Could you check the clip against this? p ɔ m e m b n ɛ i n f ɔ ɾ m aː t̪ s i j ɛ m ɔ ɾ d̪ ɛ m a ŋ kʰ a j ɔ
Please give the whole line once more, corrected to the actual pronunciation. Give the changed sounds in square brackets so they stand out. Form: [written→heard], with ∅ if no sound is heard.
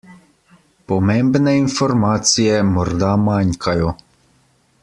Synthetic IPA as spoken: p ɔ m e m b n ɛ i n f ɔ ɾ m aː t̪ s i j ɛ m ɔ ɾ d̪ [ɛ→a] m a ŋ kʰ a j ɔ